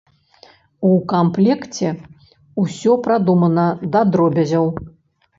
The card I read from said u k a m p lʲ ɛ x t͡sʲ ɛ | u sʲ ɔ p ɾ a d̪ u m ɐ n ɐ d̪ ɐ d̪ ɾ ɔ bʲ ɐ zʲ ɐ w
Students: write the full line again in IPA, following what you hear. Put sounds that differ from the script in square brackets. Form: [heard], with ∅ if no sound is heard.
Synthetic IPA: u k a m p lʲ ɛ [k] t͡sʲ ɛ | u sʲ ɔ p ɾ a d̪ u m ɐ n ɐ d̪ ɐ d̪ ɾ ɔ bʲ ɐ zʲ ɐ w